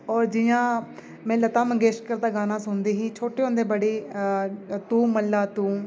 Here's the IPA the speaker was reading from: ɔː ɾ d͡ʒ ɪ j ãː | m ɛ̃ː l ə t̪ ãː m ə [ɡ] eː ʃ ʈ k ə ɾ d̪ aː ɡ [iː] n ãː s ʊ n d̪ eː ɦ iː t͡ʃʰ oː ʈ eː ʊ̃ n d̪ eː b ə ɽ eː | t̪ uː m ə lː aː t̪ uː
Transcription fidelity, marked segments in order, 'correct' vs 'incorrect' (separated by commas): correct, incorrect